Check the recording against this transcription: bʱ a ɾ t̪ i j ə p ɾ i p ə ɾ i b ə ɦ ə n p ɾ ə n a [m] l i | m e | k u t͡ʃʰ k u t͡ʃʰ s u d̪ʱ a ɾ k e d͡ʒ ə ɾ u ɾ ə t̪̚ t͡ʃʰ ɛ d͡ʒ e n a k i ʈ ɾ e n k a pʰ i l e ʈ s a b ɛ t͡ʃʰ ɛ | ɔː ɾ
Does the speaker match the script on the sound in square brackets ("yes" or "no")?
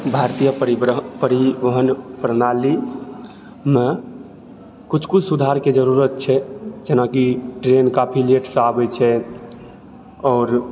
no